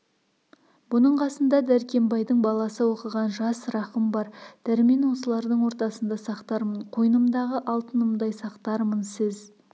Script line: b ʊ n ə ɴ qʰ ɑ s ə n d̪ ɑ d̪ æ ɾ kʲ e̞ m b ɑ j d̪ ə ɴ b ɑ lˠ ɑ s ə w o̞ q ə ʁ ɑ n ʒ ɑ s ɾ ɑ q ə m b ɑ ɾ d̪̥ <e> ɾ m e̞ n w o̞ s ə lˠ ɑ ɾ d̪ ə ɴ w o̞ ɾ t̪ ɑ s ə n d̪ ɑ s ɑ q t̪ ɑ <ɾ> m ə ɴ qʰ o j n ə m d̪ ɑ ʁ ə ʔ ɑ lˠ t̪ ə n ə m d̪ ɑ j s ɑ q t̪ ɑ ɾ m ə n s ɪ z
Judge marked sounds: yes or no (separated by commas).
no, yes